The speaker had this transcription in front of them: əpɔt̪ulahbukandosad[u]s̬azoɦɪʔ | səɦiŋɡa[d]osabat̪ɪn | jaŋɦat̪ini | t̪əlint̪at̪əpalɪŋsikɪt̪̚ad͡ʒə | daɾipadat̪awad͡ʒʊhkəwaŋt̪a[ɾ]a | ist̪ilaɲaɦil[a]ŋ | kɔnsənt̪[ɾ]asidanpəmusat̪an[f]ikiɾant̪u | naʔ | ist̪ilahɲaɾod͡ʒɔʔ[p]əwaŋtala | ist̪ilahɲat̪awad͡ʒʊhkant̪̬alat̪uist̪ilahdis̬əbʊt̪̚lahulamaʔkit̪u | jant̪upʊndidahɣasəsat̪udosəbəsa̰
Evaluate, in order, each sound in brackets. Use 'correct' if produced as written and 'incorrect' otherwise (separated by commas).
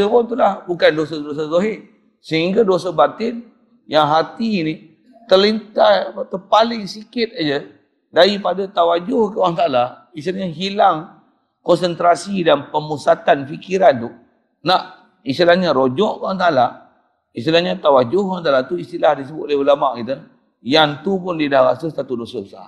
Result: incorrect, correct, incorrect, correct, correct, correct, incorrect